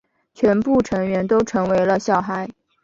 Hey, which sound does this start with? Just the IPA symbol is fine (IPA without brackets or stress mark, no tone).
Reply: t͡ɕʰ